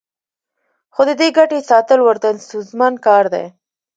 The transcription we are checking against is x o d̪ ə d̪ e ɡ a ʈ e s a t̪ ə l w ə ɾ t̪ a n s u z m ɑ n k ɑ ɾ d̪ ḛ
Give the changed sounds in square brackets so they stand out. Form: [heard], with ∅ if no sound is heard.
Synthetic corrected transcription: x o d̪ ə d̪ e ɡ a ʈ e s [ɑ] t̪ ə l w ə ɾ t̪ a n s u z m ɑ n k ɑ ɾ d̪ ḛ